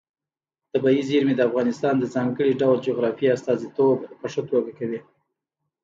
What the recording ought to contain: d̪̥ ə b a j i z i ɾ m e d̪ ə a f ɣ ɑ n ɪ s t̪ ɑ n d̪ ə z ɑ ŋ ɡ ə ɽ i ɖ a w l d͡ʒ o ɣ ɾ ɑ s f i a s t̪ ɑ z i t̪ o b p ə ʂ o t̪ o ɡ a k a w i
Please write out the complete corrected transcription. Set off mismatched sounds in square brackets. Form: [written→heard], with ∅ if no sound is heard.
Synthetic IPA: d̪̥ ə b a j i z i ɾ m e d̪ ə a f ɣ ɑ n ɪ s t̪ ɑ n d̪ ə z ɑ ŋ ɡ ə ɽ i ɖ a w l d͡ʒ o ɣ ɾ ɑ [s→∅] f i a s t̪ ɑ z i t̪ o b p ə ʂ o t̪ o ɡ a k a w i

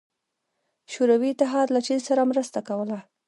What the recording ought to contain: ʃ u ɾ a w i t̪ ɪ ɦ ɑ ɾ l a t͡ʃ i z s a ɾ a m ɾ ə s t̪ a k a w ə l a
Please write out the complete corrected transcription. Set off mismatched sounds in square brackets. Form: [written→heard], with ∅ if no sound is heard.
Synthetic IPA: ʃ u ɾ a w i t̪ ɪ ɦ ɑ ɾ l a t͡ʃ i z s a ɾ a m ɾ ə s t̪ a k a w ə l a

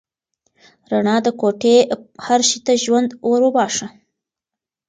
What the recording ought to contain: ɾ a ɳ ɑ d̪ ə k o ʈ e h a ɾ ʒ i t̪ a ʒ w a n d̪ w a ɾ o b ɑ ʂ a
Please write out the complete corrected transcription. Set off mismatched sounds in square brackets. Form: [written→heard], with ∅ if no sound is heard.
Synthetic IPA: ɾ a ɳ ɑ d̪ ə k o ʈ e h a ɾ [ʒ→ʃ] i t̪ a ʒ w a n d̪ w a ɾ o b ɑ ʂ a

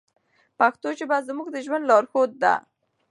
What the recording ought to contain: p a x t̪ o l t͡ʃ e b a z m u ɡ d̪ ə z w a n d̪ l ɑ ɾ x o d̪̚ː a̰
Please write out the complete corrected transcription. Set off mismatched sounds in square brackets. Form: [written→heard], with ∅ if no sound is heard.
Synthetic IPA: p a x t̪ o [l→∅] t͡ʃ e b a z m u ɡ d̪ ə [z→ʒ] w a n d̪ l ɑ ɾ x o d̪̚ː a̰

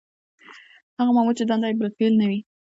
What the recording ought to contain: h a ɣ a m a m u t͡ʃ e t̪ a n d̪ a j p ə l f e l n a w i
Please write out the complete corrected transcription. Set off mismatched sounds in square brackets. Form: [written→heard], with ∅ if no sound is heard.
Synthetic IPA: h a ɣ a m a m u t͡ʃ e [t̪→d̪] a n d̪ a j [p→b] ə l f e l n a w i

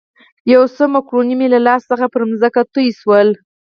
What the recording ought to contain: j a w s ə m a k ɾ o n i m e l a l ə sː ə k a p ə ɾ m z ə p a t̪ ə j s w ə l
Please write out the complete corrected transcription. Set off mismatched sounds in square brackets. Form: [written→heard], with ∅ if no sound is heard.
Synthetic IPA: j a w s ə m a k ɾ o n i m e l a l [ə→ɑ] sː ə [k→x] a p ə ɾ m z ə [p→k] a t̪ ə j s w ə l

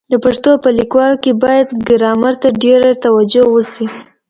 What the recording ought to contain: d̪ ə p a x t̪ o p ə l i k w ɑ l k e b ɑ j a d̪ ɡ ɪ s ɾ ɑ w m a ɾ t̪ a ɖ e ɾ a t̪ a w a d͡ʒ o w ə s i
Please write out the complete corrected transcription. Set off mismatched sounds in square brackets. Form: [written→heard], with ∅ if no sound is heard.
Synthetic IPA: d̪ ə p a [x→ʂ] t̪ o p ə l i k w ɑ l k e b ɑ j a d̪ ɡ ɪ [s→∅] ɾ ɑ [w→∅] m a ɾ t̪ a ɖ e ɾ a t̪ a w a d͡ʒ o w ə s i

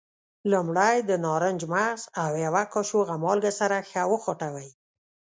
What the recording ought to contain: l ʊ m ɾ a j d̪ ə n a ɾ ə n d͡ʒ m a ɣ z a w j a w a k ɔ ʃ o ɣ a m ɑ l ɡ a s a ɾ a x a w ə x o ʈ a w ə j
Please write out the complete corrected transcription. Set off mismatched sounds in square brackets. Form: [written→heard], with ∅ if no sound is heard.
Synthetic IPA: l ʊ m [ɾ→ɽ] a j d̪ ə n [a→ɑ] ɾ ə n d͡ʒ m a ɣ z a w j a w a k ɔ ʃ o ɣ a m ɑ l ɡ a s a ɾ a x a w ə x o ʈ a w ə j

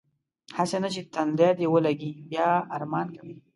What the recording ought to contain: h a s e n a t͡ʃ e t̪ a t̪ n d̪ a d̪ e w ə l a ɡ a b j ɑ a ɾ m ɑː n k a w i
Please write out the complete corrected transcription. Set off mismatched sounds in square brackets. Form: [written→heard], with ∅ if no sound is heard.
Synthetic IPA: h a s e n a t͡ʃ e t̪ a [t̪→∅] n d̪ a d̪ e w ə l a ɡ [a→i] b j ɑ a ɾ m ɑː n k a w i

